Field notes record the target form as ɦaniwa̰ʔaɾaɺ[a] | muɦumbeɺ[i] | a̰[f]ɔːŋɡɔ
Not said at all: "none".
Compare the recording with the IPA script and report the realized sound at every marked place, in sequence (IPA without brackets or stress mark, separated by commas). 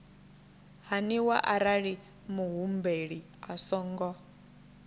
i, i, s